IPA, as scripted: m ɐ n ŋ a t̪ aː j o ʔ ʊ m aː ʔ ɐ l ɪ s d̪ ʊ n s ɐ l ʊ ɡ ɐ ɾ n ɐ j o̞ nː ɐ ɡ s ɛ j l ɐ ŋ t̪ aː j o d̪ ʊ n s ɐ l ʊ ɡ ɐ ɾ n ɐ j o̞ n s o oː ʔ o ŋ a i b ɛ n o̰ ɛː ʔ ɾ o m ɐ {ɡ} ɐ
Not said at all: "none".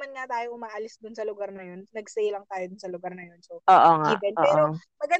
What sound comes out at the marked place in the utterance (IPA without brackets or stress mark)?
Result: ɡ